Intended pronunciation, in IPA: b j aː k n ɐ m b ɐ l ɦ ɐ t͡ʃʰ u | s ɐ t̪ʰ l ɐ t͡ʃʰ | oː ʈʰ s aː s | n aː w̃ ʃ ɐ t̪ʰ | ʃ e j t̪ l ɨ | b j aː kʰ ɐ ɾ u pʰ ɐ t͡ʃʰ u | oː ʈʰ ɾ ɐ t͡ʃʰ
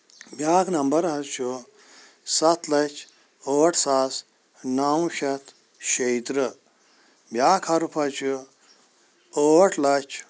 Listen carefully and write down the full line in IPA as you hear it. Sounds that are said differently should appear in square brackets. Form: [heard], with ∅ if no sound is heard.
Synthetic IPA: b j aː k n ɐ m b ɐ [ɾ] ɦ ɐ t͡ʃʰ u | s ɐ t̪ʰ l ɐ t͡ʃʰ | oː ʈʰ s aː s | n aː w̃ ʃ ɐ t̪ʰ | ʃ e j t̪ [ɾ] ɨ | b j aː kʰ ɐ ɾ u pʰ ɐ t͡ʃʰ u | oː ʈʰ [l] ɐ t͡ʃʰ